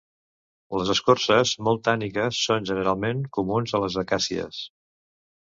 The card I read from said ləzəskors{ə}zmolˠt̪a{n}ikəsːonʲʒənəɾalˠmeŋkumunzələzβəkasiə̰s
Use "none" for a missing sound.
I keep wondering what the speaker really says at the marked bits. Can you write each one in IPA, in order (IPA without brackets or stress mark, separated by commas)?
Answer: ə, n